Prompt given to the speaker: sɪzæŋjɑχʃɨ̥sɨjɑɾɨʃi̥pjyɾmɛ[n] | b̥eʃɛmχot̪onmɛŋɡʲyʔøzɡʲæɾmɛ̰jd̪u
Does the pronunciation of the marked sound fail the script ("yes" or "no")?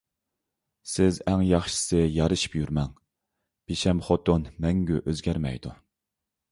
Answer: yes